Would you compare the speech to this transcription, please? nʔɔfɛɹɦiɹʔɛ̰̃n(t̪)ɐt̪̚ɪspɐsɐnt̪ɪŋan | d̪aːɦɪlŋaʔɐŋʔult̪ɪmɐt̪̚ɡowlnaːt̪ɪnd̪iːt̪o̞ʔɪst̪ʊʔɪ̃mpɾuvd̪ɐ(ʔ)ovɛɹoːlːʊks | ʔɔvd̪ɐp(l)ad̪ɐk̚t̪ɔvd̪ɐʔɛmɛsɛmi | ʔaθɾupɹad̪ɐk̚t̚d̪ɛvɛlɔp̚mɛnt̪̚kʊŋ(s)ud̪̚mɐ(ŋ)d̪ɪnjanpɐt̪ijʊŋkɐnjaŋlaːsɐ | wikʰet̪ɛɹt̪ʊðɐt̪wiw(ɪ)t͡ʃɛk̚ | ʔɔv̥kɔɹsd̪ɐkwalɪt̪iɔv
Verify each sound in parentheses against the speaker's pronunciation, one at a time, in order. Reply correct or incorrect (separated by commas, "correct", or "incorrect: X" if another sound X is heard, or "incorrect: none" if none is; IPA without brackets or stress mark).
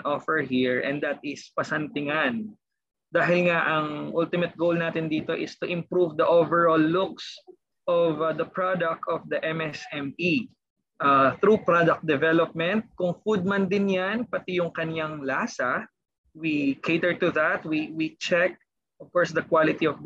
incorrect: d̪, correct, incorrect: ɹ, incorrect: f, incorrect: n, incorrect: i